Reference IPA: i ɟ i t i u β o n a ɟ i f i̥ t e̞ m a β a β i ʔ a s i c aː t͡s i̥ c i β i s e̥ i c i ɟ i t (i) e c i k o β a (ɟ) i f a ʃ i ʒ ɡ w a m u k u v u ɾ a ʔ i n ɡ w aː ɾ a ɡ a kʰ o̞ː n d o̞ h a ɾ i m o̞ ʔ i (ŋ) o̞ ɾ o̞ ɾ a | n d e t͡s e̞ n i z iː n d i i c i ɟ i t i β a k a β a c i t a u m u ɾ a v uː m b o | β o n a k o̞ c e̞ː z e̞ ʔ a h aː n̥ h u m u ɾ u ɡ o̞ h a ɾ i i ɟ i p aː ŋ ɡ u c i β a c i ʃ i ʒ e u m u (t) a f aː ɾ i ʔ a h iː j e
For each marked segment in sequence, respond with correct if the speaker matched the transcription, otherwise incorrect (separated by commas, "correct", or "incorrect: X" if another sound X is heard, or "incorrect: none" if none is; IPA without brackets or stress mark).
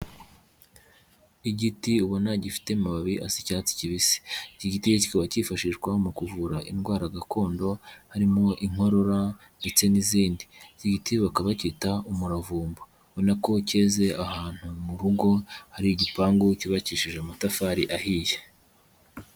correct, incorrect: c, correct, correct